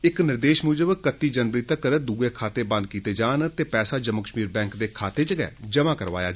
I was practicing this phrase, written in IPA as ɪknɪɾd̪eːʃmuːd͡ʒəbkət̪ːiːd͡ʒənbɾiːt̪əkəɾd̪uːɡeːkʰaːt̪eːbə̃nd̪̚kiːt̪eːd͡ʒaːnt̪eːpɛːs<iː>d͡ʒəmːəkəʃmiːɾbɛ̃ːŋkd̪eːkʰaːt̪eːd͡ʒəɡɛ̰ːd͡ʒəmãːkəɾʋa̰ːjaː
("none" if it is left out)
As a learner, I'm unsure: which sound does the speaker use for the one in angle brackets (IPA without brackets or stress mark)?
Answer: aː